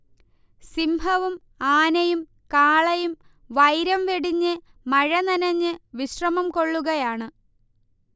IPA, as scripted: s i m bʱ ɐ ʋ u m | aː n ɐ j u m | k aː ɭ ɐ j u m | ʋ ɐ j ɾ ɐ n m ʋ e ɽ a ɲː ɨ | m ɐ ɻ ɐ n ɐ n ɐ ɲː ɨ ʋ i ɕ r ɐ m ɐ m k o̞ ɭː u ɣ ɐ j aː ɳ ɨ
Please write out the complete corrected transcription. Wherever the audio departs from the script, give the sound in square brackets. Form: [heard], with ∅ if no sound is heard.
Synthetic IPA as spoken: s i m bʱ ɐ ʋ u m | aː n ɐ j u m | k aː ɭ ɐ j u m | ʋ ɐ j ɾ ɐ [∅] m ʋ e ɽ [i] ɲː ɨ | m ɐ ɻ ɐ n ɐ n ɐ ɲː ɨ ʋ i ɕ r ɐ m ɐ m k o̞ ɭː u ɣ ɐ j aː ɳ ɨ